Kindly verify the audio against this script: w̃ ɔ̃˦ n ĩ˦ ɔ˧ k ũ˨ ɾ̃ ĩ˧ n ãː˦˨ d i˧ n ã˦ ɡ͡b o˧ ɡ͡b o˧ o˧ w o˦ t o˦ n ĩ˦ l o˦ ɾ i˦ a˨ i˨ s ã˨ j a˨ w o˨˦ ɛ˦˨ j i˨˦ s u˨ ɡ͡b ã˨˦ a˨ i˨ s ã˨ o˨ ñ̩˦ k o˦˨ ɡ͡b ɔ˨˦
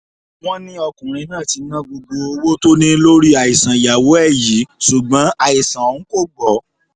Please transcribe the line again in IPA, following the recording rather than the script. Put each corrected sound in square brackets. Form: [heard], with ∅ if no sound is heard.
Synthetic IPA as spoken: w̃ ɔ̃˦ n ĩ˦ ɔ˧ k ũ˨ ɾ̃ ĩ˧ n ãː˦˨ [t] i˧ n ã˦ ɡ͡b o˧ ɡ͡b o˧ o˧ w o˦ t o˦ n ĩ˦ l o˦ ɾ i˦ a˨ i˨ s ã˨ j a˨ w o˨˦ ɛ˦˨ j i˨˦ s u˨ ɡ͡b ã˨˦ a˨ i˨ s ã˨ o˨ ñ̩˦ k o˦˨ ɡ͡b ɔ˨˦